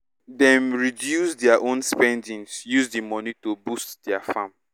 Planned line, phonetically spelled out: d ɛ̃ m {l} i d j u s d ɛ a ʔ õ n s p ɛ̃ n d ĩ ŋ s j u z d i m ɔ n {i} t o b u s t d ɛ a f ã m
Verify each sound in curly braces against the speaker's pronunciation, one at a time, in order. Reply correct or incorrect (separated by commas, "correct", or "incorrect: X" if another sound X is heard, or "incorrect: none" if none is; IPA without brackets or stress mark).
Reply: incorrect: ɹ, correct